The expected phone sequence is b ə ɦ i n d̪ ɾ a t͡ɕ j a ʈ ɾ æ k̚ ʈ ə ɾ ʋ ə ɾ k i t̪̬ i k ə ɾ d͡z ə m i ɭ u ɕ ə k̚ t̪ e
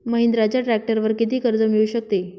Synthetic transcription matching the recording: m ə ɦ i n d̪ ɾ a t͡ɕ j a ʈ ɾ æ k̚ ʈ ə ɾ ʋ ə ɾ k i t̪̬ iː k ə ɾ d͡z ə m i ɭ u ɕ ə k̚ t̪ e